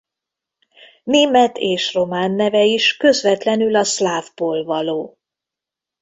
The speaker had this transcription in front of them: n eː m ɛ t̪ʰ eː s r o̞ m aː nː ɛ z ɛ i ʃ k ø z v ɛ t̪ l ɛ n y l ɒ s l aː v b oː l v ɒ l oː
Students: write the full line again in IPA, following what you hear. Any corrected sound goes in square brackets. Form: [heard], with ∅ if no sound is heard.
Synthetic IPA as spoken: n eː m ɛ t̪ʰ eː [ʃ] r o̞ m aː nː ɛ [v] ɛ i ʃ k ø z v ɛ t̪ l ɛ n y l ɒ s l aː v b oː l v ɒ l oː